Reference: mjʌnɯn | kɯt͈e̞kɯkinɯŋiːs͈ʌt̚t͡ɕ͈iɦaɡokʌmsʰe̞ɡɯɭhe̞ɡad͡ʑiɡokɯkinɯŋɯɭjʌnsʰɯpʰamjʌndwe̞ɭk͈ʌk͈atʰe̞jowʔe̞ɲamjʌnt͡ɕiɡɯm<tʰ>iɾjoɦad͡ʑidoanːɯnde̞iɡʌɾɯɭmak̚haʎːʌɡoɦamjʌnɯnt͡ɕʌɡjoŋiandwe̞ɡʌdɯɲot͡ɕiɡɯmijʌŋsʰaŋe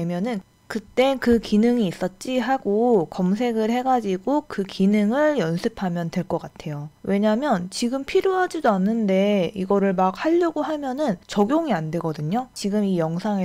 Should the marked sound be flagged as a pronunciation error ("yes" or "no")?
yes